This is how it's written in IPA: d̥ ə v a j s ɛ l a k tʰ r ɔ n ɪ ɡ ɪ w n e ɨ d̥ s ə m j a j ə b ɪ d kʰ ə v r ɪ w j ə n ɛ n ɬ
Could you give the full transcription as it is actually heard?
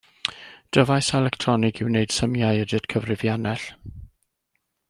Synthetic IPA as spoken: d̥ ə v a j s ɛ l ɛ k tʰ r ɔ n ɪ ɡ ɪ w n e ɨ d̥ s ə m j a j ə d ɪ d kʰ ə v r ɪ v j a n ɛ ɬ